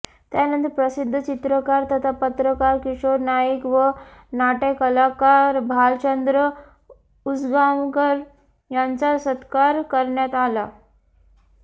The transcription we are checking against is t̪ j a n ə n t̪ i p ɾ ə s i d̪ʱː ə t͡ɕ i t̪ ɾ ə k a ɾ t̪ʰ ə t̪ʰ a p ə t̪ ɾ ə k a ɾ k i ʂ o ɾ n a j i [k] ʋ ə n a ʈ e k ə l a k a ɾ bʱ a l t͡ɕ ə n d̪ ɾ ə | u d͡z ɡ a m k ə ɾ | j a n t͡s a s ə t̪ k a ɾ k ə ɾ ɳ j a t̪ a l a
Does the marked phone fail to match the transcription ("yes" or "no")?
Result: no